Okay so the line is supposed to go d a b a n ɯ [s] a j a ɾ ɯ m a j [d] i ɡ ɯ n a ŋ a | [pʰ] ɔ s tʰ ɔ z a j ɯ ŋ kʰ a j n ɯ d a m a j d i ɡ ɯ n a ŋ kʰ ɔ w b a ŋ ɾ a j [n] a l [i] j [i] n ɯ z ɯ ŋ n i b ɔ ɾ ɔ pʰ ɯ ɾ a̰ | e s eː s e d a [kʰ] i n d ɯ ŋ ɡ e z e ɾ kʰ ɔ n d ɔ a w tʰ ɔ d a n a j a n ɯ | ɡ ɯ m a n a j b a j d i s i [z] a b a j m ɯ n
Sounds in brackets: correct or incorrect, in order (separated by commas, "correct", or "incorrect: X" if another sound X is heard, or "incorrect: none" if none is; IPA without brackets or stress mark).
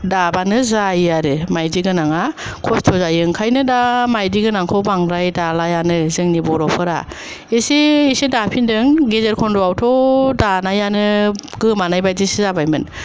incorrect: z, correct, incorrect: kʰ, incorrect: d, incorrect: a, incorrect: a, incorrect: pʰ, correct